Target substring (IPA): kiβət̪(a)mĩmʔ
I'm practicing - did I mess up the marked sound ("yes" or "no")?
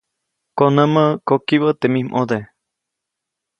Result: yes